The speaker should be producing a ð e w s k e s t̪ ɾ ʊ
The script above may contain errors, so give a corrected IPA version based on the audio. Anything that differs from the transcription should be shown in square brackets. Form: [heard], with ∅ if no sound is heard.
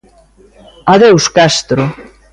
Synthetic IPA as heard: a ð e w s k [a] s t̪ ɾ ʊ

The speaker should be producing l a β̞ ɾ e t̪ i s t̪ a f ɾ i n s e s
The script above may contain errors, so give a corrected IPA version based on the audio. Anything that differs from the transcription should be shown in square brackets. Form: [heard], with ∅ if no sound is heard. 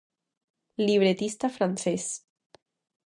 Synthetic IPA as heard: l [i] β̞ ɾ e t̪ i s t̪ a f ɾ [a] n s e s

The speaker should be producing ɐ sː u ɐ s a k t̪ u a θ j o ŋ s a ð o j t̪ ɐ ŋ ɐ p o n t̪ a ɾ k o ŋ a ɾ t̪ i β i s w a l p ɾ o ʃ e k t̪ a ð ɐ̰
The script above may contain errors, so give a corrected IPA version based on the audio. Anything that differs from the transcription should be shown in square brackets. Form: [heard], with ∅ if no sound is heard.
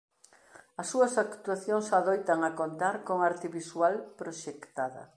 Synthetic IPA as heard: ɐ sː u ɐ s a k t̪ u a θ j o ŋ s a ð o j t̪ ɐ ŋ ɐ [k] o n t̪ a ɾ k o ŋ a ɾ t̪ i β i s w a l p ɾ o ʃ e k t̪ a ð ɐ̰

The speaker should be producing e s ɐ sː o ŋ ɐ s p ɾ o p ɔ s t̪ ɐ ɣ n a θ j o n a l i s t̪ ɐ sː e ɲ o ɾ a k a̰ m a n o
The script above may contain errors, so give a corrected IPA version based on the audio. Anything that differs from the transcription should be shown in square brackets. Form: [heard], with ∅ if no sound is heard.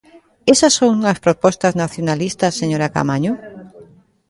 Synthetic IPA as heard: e s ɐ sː o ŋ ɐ s p ɾ o p ɔ s t̪ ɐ [z] n a θ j o n a l i s t̪ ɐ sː e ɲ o ɾ a k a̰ m a [ɲ] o

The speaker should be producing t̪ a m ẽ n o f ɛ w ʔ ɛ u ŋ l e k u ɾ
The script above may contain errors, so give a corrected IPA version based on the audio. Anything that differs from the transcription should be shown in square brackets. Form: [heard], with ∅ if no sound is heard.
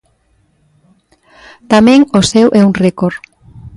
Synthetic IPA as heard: t̪ a m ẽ [ŋ] o [s] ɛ w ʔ ɛ u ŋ [r] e k [o] ɾ

